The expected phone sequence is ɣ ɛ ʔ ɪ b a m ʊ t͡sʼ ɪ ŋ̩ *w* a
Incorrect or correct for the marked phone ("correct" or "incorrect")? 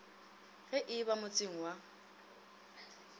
correct